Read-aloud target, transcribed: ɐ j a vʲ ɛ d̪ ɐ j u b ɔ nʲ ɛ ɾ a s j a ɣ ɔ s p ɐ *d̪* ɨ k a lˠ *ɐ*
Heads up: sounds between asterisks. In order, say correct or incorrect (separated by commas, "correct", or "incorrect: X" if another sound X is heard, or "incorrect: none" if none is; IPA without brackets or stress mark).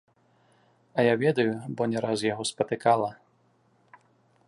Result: incorrect: t̪, correct